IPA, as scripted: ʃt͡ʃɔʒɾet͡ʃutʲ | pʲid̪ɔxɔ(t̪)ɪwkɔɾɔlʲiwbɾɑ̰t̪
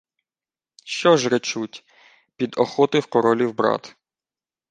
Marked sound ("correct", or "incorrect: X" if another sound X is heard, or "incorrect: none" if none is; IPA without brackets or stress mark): correct